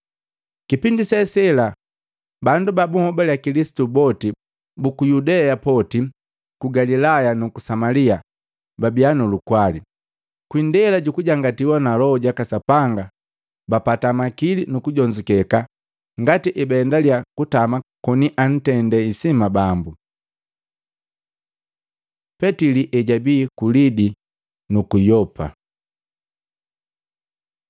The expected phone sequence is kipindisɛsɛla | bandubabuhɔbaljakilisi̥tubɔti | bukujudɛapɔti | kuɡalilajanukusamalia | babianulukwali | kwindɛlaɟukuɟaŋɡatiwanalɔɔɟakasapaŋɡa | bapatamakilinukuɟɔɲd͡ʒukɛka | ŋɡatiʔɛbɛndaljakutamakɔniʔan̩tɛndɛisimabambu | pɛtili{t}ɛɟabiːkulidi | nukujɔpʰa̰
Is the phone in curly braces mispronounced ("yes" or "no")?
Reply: yes